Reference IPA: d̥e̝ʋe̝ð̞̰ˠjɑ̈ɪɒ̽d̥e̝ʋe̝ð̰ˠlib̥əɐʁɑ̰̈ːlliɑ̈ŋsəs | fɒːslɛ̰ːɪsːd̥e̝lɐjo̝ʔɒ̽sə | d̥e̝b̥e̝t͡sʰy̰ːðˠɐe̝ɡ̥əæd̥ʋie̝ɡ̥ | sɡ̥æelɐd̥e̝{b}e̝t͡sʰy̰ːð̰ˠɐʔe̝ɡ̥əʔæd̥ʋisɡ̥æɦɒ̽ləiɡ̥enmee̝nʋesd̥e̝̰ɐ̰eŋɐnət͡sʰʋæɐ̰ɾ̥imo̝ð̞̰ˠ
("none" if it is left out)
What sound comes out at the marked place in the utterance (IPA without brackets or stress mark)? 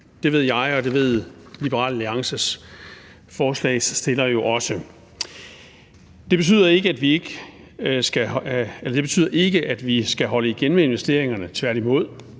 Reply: b